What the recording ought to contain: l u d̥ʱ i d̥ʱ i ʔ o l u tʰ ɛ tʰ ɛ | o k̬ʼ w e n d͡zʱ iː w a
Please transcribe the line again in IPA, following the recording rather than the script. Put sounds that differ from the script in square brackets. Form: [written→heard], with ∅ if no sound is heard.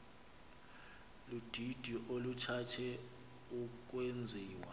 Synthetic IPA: l u d̥ʱ i d̥ʱ i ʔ o l u tʰ [ɛ→a] tʰ ɛ | [o→u] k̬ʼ w e n d͡zʱ iː w a